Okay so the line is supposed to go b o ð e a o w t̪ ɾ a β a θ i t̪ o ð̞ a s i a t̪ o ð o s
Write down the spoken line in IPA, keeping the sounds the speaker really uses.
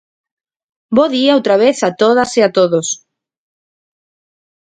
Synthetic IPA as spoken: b o ð i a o w t̪ ɾ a β e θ a t̪ o ð̞ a s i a t̪ o ð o s